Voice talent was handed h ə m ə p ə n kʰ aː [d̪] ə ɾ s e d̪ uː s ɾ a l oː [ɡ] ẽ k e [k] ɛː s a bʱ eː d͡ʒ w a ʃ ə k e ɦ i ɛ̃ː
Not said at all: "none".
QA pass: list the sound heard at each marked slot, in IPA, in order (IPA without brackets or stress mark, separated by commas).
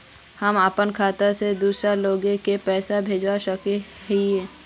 t̪, ɡ, p